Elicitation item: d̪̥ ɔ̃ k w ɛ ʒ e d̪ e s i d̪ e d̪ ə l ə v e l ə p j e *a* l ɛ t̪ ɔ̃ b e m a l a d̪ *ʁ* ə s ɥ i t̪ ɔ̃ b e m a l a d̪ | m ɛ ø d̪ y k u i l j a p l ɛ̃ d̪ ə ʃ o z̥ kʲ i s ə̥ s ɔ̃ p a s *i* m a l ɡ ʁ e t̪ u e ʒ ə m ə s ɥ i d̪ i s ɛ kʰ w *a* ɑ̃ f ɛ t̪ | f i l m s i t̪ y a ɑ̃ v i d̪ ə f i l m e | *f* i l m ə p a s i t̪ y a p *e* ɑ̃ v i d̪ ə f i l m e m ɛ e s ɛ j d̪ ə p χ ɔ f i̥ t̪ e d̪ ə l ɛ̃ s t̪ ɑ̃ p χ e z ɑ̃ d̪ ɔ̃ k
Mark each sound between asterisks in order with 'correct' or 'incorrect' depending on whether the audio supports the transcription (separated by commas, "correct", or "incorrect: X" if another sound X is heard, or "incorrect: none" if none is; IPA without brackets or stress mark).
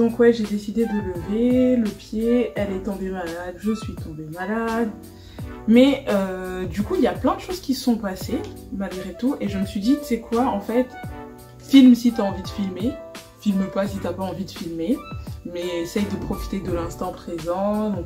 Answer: incorrect: ɛ, incorrect: ʒ, incorrect: e, correct, correct, incorrect: a